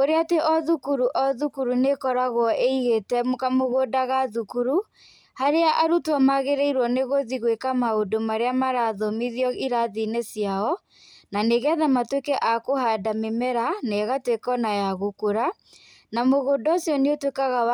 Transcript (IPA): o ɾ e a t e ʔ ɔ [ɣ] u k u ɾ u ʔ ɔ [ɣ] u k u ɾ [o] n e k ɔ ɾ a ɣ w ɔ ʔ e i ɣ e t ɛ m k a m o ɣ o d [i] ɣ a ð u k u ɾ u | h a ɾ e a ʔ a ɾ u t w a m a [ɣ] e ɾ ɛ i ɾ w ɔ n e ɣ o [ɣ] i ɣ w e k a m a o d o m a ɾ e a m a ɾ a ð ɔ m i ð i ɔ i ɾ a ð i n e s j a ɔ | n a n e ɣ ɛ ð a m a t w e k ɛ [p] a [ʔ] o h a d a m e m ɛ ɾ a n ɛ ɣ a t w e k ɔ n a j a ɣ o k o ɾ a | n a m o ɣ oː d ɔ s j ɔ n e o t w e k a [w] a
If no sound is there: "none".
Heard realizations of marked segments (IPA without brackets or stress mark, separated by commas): ð, ð, u, a, ɣ, ð, ʔ, k, ɣ